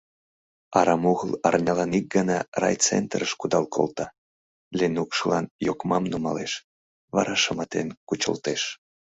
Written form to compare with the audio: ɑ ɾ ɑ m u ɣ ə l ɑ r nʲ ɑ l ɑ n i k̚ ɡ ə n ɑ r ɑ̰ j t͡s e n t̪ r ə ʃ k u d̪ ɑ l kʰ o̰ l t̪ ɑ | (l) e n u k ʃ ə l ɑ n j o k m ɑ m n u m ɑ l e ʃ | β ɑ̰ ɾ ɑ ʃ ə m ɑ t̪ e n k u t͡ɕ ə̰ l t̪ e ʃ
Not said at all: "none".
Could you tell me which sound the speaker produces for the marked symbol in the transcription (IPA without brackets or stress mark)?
l